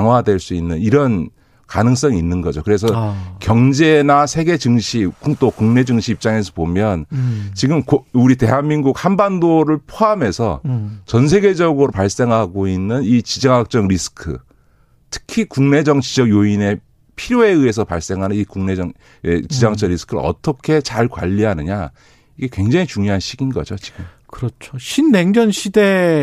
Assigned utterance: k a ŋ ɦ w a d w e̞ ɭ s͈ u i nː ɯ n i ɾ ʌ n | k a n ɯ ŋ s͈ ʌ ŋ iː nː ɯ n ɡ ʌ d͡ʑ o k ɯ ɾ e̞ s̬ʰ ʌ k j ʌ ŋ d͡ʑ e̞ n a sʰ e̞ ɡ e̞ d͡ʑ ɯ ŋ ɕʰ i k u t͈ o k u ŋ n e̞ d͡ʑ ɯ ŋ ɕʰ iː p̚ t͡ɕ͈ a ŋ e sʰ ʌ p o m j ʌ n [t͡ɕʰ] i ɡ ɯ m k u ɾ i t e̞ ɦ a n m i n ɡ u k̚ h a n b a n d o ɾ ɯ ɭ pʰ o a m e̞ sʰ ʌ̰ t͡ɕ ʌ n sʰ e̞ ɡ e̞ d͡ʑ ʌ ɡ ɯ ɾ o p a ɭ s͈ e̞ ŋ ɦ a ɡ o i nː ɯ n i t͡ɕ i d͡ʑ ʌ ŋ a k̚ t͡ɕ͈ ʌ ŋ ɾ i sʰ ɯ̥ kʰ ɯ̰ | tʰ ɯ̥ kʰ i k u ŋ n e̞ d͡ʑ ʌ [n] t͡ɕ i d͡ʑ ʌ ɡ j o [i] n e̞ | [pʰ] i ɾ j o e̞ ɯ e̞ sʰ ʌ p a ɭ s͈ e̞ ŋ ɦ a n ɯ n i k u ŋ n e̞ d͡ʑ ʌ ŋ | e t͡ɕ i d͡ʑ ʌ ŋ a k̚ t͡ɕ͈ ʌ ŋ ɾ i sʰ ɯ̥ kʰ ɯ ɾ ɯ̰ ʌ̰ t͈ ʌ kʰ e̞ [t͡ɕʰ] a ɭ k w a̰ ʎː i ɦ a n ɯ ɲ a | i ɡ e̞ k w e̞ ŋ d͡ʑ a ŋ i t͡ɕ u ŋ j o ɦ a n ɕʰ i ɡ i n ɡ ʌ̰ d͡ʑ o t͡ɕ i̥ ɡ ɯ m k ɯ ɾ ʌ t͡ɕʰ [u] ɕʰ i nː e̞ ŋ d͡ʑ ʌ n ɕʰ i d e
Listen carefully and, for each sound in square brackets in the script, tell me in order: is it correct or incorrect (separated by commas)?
incorrect, incorrect, correct, correct, incorrect, incorrect